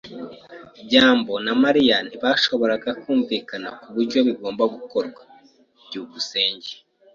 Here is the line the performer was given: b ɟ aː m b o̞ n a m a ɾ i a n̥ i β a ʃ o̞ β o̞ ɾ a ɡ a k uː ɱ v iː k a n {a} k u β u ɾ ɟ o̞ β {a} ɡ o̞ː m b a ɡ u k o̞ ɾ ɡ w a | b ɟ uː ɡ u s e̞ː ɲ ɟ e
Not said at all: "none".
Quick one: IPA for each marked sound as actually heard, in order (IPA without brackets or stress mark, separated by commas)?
a, i